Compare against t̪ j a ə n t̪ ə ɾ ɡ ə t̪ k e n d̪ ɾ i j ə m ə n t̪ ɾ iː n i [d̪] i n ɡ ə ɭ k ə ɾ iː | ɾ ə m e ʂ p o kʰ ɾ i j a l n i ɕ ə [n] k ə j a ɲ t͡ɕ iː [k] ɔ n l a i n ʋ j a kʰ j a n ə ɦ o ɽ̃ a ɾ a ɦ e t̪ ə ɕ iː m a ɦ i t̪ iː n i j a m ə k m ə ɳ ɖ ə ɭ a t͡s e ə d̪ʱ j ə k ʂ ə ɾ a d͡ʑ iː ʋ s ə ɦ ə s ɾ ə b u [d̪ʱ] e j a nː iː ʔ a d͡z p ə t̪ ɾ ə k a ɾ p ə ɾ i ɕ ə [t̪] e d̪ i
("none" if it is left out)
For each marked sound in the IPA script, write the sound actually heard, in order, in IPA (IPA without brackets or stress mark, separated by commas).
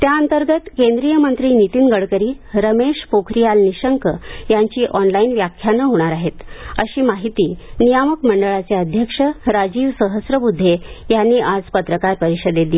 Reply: t̪, ŋ, ʔ, d̪ʱː, d̪